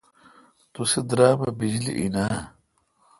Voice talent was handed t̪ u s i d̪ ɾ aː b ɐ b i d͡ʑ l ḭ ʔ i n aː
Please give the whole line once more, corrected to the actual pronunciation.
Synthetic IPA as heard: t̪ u s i d̪ ɾ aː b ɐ b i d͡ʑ l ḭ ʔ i n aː